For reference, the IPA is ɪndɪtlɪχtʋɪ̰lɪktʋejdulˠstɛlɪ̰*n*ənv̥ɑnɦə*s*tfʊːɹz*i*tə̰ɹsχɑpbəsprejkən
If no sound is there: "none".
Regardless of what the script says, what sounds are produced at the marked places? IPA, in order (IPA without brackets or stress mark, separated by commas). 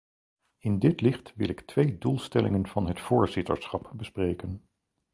ŋ, none, ɪ